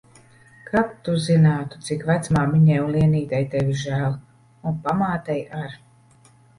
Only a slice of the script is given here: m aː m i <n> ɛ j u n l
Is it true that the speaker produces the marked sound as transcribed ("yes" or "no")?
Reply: no